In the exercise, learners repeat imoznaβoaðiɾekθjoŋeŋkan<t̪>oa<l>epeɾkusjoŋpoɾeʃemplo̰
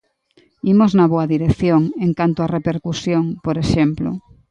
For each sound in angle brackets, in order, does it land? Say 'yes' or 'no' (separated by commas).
yes, no